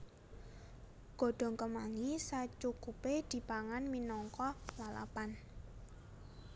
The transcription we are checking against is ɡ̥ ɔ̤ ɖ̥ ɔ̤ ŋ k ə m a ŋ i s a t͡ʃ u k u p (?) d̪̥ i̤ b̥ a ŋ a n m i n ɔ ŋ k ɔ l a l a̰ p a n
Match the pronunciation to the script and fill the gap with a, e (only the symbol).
e